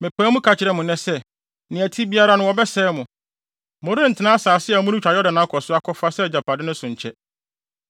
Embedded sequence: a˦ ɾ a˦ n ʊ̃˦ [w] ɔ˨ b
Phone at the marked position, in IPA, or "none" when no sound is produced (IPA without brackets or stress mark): w